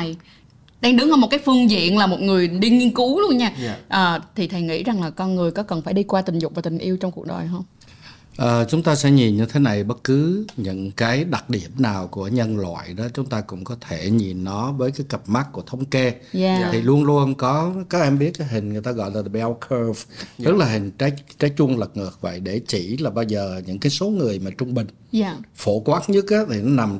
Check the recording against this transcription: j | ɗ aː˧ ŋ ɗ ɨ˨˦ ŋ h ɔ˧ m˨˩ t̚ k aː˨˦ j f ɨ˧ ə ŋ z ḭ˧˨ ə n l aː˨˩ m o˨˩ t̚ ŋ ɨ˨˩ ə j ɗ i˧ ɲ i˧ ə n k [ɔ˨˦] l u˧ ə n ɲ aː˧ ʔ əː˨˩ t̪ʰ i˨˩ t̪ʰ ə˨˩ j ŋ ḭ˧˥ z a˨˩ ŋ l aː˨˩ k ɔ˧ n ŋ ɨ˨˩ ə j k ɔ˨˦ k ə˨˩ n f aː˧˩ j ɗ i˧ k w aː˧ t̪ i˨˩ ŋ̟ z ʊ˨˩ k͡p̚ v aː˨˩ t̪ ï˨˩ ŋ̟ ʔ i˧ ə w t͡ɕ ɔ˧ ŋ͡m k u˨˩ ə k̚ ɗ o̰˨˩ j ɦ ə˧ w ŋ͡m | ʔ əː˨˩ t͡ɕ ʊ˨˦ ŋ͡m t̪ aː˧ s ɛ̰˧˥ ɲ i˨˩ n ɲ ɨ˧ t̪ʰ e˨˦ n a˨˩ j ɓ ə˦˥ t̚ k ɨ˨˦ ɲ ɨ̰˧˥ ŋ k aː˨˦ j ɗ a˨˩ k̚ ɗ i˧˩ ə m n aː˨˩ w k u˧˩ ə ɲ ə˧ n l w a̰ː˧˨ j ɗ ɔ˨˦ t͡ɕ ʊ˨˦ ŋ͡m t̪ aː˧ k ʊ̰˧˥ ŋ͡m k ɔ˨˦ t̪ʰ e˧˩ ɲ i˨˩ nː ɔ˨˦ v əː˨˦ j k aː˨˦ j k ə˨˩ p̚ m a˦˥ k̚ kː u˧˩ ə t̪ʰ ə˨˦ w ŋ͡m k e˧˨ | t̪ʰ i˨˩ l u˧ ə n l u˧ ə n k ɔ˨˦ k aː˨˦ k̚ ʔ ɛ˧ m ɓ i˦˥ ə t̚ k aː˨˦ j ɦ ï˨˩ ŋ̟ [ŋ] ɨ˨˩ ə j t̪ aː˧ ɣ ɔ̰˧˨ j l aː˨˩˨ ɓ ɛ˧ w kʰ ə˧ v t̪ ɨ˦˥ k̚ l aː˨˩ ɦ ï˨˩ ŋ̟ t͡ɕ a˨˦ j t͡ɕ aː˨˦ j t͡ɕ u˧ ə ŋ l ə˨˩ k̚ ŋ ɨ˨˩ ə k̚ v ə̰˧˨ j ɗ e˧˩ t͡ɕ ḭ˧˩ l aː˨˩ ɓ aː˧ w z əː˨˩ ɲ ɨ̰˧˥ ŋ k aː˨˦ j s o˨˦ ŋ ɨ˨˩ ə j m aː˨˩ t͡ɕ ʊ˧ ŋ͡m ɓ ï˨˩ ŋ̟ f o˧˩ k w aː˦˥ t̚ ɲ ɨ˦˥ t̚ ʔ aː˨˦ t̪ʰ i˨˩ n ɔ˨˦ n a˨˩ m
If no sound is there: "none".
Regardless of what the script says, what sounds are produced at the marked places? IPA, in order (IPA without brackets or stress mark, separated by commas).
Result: u˨˦, ŋ